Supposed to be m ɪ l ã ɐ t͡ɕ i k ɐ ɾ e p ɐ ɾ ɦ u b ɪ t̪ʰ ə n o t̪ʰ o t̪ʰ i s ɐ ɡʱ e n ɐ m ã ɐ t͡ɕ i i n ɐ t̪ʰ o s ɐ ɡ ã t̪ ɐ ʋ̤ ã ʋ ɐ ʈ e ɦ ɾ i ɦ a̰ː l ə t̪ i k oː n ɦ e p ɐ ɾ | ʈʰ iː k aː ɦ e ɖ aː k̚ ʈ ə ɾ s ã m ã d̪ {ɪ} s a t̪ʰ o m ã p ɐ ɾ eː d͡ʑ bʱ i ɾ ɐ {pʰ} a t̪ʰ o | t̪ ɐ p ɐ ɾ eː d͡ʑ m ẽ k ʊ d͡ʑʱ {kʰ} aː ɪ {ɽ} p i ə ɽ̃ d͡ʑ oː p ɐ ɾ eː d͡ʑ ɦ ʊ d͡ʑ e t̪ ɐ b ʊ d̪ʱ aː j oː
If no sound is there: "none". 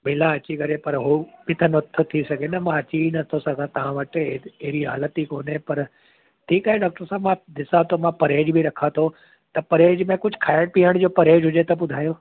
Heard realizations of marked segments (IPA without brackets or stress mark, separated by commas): ɪ, kʰ, kʰ, ɽ